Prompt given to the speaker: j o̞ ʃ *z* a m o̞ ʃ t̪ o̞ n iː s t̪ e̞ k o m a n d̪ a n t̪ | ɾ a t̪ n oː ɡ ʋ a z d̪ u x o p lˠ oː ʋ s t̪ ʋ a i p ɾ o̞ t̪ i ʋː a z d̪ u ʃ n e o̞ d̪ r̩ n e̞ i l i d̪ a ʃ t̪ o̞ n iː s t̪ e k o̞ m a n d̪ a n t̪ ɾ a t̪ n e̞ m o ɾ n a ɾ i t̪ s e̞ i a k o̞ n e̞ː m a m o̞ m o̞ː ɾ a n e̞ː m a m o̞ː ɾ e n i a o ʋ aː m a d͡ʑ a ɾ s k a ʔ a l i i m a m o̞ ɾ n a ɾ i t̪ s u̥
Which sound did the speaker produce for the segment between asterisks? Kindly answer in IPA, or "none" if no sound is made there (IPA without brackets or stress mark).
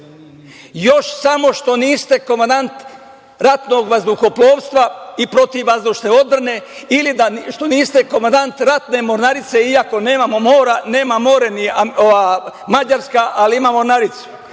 s